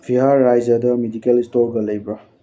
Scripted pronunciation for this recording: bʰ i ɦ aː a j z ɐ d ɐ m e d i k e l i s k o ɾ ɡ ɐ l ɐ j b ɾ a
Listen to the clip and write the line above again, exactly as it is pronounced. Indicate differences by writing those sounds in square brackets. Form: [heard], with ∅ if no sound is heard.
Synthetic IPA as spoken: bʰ i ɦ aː a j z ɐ d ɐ m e d i k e l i s [t] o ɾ ɡ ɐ l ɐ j b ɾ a